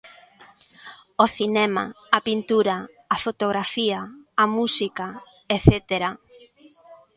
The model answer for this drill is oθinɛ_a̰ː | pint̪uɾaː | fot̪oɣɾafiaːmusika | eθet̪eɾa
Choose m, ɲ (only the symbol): m